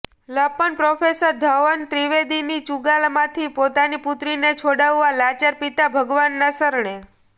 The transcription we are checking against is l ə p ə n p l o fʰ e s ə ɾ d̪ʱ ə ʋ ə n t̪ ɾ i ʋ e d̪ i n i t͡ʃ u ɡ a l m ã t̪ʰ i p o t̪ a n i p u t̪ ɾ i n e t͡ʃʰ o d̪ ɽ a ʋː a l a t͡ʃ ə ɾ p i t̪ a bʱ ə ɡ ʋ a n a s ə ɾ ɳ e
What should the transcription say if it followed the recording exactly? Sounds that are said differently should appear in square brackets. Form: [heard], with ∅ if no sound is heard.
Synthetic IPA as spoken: l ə p ə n p [ɾ] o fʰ e s ə ɾ d̪ʱ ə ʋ ə n t̪ ɾ i ʋ e d̪ i n i t͡ʃ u ɡ a l m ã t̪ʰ i p o t̪ a n i p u t̪ ɾ i n e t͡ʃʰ o [∅] ɽ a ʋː a l a t͡ʃ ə ɾ p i t̪ a bʱ ə ɡ ʋ a [nː] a s ə ɾ ɳ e